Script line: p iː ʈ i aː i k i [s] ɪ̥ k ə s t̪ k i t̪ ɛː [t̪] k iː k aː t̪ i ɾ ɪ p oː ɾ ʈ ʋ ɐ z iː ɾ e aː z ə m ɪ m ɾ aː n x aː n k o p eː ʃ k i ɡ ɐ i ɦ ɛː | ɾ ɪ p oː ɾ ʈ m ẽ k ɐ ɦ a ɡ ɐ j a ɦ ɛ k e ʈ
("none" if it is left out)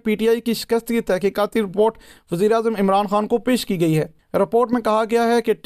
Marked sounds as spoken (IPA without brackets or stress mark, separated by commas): ʃ, none